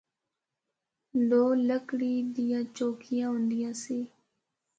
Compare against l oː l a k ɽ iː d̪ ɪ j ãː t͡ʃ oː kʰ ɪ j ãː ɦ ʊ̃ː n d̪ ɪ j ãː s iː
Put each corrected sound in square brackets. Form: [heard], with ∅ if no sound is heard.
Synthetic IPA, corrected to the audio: l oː l [ə] k ɽ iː d̪ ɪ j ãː t͡ʃ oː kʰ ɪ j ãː ɦ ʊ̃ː n d̪ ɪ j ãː s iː

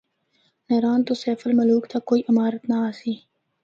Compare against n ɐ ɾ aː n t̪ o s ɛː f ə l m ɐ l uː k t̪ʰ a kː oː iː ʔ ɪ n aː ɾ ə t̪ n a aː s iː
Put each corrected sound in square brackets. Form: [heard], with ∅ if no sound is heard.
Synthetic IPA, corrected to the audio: n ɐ ɾ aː n t̪ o s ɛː f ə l m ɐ l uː k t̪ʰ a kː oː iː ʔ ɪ [m] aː ɾ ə t̪ n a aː s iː

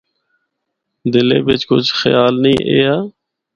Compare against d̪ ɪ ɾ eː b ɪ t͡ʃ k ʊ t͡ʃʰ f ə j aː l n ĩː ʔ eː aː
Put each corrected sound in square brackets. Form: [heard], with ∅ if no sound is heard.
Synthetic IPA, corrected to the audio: d̪ ɪ [l] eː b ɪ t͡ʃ k ʊ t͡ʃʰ [x] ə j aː l n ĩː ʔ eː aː

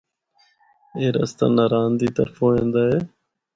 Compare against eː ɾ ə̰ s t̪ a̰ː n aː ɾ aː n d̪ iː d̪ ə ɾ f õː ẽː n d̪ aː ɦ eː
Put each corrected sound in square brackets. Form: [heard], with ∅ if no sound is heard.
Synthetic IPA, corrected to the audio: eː ɾ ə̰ s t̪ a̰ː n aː ɾ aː n d̪ iː [t̪] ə ɾ f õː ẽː n d̪ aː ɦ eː

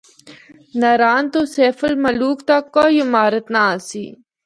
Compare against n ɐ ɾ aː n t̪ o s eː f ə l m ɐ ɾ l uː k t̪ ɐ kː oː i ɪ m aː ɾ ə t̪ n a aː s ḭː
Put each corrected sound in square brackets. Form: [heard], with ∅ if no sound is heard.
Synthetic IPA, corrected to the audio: n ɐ ɾ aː n t̪ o s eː f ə l m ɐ [∅] l uː k t̪ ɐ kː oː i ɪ m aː ɾ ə t̪ n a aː s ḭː

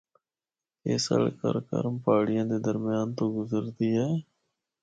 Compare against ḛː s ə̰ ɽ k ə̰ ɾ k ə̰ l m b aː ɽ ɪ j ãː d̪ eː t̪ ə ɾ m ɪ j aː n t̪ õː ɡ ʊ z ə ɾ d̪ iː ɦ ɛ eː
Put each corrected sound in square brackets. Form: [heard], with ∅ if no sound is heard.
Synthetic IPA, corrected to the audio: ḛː s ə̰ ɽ k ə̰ ɾ k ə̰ [ɾ] m [p] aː ɽ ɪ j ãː d̪ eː [d̪] ə ɾ m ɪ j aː n t̪ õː ɡ ʊ z ə ɾ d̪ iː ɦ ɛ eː

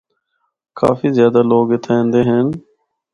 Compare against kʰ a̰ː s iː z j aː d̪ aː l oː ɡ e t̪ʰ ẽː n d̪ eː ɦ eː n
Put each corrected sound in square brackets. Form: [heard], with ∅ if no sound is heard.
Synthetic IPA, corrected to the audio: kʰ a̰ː [f] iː z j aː d̪ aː l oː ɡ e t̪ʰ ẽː n d̪ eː ɦ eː n

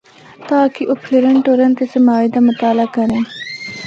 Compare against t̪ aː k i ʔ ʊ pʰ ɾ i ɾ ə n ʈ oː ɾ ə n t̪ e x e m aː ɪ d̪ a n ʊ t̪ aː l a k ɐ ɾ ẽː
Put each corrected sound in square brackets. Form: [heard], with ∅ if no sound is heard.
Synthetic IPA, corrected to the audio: t̪ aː k i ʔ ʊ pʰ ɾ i ɾ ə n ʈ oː ɾ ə n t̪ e [s] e m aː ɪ d̪ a [m] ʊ t̪ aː l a k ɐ ɾ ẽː

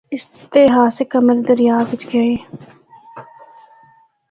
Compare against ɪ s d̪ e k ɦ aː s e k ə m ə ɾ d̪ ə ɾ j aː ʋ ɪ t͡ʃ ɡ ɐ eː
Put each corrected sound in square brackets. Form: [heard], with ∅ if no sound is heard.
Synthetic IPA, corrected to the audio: ɪ s [t̪] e [∅] ɦ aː s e k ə m ə ɾ d̪ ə ɾ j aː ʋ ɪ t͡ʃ ɡ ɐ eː

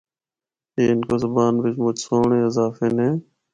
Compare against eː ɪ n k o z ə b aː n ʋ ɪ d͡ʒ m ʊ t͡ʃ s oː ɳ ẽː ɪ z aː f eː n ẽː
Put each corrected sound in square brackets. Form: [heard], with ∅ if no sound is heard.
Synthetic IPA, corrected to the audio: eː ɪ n k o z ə b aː n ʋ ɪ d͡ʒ m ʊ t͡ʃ s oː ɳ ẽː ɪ z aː f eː n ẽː

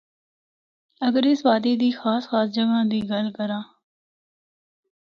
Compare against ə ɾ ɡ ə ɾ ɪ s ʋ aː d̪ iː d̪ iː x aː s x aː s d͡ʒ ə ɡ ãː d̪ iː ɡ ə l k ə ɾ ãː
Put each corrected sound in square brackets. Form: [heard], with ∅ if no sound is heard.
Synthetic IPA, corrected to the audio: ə [∅] ɡ ə ɾ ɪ s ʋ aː d̪ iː d̪ iː x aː s x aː s d͡ʒ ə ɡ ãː d̪ iː ɡ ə l k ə ɾ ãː

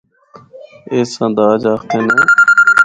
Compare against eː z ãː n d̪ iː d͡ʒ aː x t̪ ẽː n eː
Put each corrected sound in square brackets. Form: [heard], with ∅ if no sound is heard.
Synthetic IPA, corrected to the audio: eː [s] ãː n d̪ [aː] d͡ʒ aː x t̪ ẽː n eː

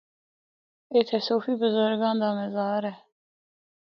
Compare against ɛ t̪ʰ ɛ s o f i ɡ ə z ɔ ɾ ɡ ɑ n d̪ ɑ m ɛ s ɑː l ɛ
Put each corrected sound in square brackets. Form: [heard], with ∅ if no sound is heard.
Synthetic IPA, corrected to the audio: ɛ t̪ʰ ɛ s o f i [b] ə z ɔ ɾ ɡ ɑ n d̪ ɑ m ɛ [z] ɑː [ɾ] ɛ

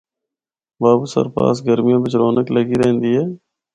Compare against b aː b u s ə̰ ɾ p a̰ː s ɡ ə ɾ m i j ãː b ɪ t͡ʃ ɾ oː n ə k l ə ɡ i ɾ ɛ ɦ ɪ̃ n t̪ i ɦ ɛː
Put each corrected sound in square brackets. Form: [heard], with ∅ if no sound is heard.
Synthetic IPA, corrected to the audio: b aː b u s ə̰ ɾ p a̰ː s ɡ ə ɾ m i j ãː b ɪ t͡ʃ ɾ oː n ə k l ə ɡ i ɾ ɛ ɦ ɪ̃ n [d̪] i ɦ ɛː

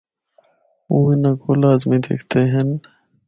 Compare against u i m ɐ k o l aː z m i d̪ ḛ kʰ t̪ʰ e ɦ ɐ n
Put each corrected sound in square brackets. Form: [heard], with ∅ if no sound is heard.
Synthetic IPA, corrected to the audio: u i [n] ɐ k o l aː z m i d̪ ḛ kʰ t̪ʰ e ɦ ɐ n

